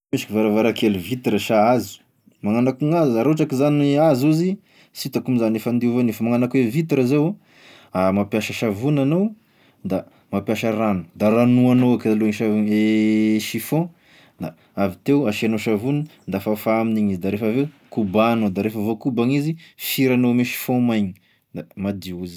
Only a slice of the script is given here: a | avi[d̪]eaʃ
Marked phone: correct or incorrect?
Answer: incorrect